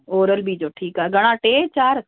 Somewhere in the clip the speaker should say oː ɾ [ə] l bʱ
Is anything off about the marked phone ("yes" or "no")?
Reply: no